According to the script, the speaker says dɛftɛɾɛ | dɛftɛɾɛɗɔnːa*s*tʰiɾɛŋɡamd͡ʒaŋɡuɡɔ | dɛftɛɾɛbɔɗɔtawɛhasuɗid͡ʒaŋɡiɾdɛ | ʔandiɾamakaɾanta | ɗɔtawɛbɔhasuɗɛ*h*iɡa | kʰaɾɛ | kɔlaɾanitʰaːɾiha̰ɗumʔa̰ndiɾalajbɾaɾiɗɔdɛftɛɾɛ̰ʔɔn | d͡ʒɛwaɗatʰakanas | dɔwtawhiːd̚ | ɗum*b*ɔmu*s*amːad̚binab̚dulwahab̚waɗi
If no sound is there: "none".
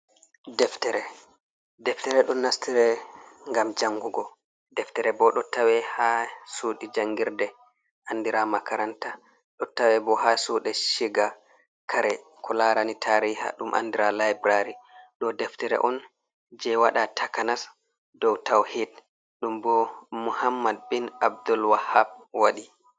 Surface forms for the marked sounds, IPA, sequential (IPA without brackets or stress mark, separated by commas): s, ʃ, b, h